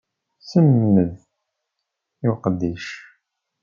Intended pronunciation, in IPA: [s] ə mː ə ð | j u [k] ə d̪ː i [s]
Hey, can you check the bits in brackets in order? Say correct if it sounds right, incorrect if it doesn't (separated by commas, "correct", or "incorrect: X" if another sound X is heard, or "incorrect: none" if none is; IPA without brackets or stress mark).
correct, incorrect: q, incorrect: ʃ